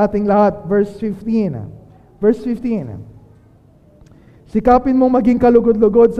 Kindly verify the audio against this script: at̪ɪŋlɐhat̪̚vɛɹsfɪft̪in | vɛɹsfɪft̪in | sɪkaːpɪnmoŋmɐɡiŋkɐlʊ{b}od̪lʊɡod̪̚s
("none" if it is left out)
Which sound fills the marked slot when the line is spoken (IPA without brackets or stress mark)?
ɡ